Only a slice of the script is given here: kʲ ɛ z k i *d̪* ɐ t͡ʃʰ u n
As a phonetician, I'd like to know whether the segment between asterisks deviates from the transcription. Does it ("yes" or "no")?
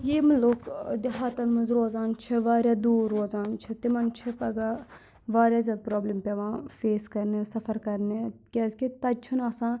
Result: yes